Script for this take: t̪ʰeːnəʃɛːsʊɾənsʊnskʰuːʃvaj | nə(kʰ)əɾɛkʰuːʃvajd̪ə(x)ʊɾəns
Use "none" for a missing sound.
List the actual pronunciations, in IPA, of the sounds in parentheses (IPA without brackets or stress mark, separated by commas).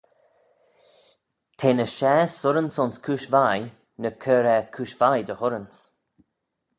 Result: kʰ, h